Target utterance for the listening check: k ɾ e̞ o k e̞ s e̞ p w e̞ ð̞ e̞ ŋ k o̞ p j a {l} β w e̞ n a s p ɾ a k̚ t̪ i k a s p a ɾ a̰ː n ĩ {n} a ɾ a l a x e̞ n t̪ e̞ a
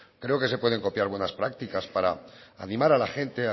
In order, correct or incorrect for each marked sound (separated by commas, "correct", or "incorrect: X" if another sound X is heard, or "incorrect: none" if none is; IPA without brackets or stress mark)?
incorrect: ɾ, incorrect: m